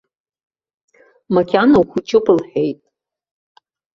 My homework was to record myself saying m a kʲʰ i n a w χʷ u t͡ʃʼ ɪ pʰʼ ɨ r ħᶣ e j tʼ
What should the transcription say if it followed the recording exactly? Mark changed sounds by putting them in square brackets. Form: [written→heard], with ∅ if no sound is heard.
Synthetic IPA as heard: m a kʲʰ [i→a] n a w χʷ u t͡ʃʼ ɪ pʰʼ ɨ [r→l] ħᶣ e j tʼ